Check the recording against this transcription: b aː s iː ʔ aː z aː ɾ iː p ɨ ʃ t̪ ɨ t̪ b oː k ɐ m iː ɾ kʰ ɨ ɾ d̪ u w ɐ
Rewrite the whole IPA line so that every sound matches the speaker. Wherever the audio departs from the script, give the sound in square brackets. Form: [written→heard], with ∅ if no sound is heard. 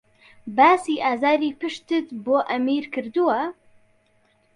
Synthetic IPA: b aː s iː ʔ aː z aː ɾ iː p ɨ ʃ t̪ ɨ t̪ b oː [k→ʔ] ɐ m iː ɾ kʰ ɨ ɾ d̪ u w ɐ